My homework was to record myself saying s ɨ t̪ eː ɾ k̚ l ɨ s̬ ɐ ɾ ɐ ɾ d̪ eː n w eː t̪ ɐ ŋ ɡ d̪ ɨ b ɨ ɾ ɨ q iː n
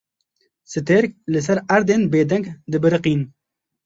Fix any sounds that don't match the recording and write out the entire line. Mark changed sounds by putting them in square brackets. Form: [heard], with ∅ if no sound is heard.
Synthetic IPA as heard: s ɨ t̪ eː ɾ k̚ l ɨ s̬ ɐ ɾ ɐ ɾ d̪ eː n [b] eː [d̪] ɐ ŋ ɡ d̪ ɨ b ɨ ɾ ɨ q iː n